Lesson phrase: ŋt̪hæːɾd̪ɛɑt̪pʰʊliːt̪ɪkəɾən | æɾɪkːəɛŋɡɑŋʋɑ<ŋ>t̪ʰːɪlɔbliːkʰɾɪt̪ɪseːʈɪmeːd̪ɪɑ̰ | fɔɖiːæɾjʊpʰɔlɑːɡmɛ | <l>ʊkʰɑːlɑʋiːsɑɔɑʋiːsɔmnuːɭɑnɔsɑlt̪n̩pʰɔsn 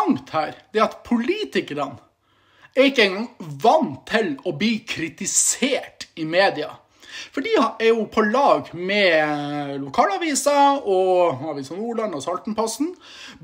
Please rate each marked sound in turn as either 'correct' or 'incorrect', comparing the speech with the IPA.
incorrect, correct

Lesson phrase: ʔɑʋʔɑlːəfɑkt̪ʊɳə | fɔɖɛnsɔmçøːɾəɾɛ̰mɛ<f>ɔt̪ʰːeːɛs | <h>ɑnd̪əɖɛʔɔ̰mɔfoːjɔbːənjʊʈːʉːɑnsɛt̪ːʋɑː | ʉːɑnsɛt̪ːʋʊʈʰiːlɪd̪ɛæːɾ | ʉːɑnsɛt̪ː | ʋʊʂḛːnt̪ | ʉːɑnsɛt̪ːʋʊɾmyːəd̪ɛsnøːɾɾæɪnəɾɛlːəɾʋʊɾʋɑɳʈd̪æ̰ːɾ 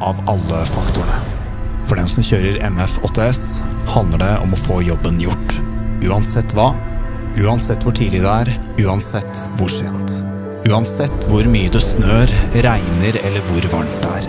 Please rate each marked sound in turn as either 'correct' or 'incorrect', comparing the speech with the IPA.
correct, correct

